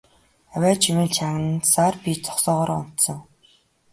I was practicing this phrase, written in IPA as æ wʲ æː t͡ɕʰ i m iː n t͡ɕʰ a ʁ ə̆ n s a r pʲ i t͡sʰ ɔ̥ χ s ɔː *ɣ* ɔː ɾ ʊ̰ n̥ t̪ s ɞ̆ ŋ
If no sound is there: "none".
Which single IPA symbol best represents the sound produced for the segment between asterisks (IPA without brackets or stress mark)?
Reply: ʁ